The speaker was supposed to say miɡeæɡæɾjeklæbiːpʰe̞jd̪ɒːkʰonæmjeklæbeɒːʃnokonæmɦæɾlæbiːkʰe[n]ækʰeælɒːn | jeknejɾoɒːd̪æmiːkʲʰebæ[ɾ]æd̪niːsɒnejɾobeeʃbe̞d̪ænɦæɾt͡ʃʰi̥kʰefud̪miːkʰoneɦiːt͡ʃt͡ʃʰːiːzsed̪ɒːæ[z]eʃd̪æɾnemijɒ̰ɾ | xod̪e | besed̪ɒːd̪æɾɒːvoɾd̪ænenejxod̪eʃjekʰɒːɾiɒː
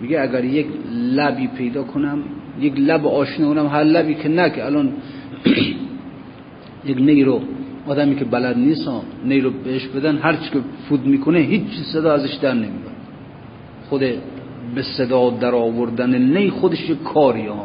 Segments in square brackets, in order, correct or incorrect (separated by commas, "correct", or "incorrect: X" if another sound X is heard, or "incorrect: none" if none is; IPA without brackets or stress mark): correct, incorrect: l, correct